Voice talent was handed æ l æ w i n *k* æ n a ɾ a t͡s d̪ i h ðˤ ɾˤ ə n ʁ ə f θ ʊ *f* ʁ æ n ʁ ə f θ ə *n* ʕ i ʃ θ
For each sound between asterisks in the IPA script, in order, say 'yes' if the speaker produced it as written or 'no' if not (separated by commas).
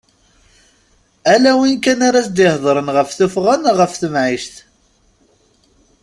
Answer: yes, yes, no